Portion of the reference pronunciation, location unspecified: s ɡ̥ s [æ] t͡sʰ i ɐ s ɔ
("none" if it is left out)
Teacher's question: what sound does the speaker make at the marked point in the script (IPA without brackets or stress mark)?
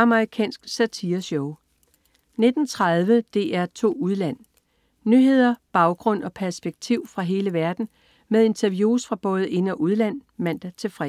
æ